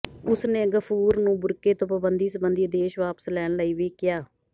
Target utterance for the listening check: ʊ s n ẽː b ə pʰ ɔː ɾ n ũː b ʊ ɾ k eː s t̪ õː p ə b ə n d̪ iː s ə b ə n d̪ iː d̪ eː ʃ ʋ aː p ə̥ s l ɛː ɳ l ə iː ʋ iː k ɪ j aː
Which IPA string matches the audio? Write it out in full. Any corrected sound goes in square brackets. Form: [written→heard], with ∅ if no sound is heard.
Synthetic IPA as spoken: ʊ s n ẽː [b→ɡ] ə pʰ [ɔː→uː] ɾ n ũː b ʊ ɾ k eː [s→∅] t̪ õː p ə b ə n d̪ iː s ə b ə n d̪ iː d̪ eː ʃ ʋ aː p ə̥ s l ɛː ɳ l ə iː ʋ iː k ɪ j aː